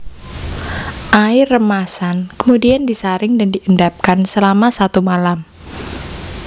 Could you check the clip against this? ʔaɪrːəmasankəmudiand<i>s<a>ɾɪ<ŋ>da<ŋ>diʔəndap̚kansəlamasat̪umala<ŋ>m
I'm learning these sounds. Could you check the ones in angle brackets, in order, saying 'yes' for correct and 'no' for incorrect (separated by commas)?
yes, yes, yes, no, no